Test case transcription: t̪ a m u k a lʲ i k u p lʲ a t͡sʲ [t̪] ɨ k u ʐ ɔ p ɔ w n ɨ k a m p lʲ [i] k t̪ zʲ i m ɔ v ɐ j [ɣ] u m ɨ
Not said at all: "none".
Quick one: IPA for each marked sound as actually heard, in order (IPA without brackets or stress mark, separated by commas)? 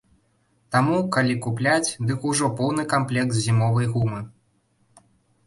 d̪, ɛ, ɣ